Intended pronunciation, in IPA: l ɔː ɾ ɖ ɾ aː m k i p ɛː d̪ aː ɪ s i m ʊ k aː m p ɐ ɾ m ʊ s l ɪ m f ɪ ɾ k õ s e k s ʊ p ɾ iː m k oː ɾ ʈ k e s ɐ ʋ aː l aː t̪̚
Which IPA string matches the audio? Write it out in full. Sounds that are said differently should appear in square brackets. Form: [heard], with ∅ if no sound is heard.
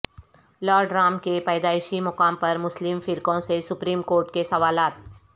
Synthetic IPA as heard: l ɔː ɾ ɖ ɾ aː m k [e] p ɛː d̪ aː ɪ [ʃ] i m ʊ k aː m p ɐ ɾ m ʊ s l ɪ m f ɪ ɾ k õ s e [∅] s ʊ p ɾ iː m k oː ɾ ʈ k e s ɐ ʋ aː l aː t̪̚